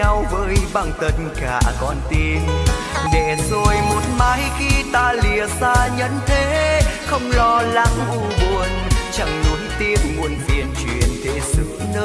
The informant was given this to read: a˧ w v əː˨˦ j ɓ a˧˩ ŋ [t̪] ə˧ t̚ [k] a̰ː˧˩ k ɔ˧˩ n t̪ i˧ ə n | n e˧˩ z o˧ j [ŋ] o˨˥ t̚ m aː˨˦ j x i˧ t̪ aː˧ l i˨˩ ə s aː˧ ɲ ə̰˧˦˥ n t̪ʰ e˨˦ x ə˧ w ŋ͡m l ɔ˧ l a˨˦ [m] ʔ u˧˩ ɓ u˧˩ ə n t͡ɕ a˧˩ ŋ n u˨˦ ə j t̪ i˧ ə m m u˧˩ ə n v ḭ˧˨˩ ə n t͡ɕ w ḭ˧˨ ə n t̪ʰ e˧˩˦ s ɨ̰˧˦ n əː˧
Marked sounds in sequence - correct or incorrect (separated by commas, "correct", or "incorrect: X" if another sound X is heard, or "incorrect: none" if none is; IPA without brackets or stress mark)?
correct, correct, incorrect: m, incorrect: ŋ